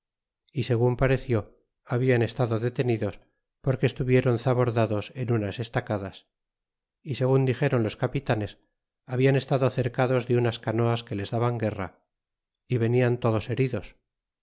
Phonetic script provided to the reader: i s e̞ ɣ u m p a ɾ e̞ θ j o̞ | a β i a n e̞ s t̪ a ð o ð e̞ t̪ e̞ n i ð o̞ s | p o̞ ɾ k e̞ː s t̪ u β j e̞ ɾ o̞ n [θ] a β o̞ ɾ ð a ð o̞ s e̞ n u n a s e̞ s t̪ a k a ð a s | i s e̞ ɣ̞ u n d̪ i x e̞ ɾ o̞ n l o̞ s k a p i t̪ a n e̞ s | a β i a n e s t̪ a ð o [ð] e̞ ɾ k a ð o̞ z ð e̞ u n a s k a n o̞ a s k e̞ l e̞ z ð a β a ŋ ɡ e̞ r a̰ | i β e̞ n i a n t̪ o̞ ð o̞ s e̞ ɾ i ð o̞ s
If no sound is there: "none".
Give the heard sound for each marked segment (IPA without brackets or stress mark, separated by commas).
θ, θ